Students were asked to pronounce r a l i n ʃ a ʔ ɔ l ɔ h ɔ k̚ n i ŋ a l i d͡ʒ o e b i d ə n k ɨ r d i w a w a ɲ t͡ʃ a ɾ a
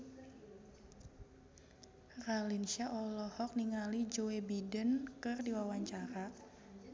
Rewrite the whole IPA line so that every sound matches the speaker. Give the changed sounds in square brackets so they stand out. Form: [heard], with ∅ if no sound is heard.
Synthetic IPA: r a l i n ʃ a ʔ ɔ l ɔ h ɔ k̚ n i ŋ a l i d͡ʒ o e b i d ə n k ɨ r d i w a w a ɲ t͡ʃ a ɾ a